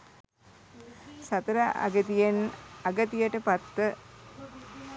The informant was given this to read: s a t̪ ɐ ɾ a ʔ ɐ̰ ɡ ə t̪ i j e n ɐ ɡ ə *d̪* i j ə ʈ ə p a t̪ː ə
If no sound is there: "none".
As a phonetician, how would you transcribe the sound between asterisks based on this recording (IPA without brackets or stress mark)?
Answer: t̪